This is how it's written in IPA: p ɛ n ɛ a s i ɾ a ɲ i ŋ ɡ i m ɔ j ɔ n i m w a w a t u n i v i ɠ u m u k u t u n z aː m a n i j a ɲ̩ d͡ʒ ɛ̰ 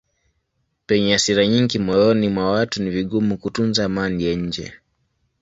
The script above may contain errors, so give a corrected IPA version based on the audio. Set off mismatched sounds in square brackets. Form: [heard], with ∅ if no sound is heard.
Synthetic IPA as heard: p ɛ [ɲ] ɛ a s i ɾ a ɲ i ŋ ɡ i m ɔ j ɔ n i m w a w a t u n i v i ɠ u m u k u t u n z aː m a n i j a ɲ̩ d͡ʒ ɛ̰

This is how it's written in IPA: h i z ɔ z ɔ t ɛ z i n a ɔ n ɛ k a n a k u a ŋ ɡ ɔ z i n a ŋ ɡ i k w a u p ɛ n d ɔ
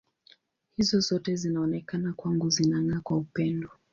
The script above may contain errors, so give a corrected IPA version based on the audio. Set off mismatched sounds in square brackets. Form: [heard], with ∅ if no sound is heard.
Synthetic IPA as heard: h i z ɔ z ɔ t ɛ z i n a ɔ n ɛ k a n a k [w] a ŋ ɡ [u] z i n a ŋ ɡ [a] k w a u p ɛ n d ɔ

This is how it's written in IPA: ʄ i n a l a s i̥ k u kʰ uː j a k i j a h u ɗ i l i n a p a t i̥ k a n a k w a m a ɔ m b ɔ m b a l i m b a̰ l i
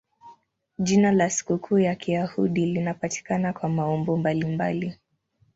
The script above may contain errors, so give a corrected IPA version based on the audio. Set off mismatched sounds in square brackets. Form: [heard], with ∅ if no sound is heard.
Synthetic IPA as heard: ʄ i n a l a s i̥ k u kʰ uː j a k i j a h u ɗ i l i n a p a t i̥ k a n a k w a m a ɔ m b ɔ m b a l i m b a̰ l i

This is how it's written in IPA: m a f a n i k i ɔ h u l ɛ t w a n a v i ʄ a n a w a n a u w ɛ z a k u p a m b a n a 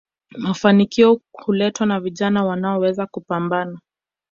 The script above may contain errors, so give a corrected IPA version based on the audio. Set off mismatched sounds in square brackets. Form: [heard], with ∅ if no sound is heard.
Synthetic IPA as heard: m a f a n i k i ɔ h u l ɛ t w a n a v i ʄ a n a w a n a [ɔ] w ɛ z a k u p a m b a n a

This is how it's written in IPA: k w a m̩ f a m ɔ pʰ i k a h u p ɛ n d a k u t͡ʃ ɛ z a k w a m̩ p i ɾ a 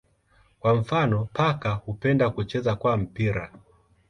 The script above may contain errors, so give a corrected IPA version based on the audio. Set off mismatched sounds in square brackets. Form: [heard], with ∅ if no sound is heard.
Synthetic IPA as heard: k w a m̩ f a [n] ɔ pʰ [a] k a h u p ɛ n d a k u t͡ʃ ɛ z a k w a m̩ p i ɾ a

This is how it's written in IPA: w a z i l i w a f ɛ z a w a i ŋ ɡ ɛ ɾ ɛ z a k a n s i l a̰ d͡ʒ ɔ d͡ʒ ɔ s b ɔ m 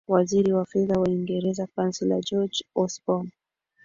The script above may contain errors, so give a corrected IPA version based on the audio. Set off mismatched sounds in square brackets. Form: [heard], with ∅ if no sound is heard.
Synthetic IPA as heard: w a z i [ɾ] i w a f ɛ [ð] a w a i ŋ ɡ ɛ ɾ ɛ z a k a n s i l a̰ d͡ʒ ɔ d͡ʒ ɔ s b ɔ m

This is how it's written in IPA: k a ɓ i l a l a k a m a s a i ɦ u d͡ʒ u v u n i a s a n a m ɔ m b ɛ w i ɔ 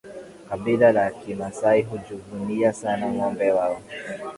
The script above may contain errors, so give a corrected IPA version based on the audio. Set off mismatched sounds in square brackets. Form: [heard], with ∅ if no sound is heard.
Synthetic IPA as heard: k a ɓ i l a l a k [i] m a s a i ɦ u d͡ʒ u v u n i a s a n a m ɔ m b ɛ w [a] ɔ

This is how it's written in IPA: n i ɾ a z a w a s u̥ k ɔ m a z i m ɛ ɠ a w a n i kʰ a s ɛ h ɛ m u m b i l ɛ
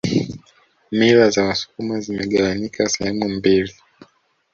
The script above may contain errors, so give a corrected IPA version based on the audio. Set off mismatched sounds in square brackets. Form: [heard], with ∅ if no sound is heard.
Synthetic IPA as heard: [m] i ɾ a z a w a s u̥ k [u] m a z i m ɛ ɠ a w a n i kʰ a s ɛ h ɛ m u m b i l [i]

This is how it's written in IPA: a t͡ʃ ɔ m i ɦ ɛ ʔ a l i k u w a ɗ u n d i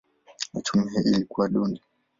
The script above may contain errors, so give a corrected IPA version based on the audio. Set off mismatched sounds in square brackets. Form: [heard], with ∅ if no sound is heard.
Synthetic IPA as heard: a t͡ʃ [u] m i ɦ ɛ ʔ [i] l i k u w a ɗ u n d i

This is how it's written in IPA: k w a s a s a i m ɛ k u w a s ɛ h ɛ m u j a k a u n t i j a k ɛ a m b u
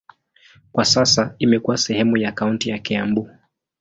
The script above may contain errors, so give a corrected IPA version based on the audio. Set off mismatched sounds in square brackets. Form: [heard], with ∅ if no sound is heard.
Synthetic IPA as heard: k w a s a s a i m ɛ k u w a s ɛ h ɛ m u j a k a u n t i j a k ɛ a m b u

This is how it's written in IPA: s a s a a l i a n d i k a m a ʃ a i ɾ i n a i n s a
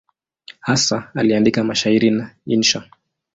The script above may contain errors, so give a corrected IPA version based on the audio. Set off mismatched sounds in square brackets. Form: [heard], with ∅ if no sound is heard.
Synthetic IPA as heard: [h] a s a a l i a n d i k a m a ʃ a i ɾ i n a i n [ʃ] a

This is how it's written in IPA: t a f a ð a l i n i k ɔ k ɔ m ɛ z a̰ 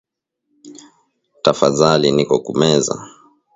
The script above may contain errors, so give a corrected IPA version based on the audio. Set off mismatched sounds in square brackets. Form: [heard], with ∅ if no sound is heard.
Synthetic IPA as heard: t a f a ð a l i n i k ɔ k [u] m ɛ z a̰

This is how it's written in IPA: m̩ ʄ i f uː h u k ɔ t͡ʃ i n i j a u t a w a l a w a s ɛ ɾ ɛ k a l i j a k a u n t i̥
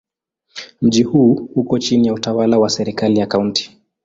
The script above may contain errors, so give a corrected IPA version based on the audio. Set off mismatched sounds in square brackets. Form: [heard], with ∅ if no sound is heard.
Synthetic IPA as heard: m̩ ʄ i [h] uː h u k ɔ t͡ʃ i n i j a u t a w a l a w a s ɛ ɾ [i] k a l i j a k a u n t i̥

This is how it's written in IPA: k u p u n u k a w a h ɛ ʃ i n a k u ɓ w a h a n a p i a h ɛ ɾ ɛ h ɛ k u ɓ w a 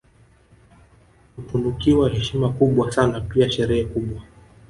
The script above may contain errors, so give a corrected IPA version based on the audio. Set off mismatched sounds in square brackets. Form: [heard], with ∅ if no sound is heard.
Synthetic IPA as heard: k u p u n u k [i] w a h ɛ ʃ i [m] a k u ɓ w a [s] a n a p i a [ʃ] ɛ ɾ ɛ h ɛ k u ɓ w a

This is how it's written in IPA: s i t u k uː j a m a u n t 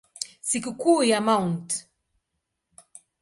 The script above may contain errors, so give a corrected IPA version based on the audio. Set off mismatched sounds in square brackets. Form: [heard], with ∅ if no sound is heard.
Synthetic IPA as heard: s i [k] u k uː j a m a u n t

